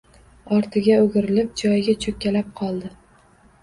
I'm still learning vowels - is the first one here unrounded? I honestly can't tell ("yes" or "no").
no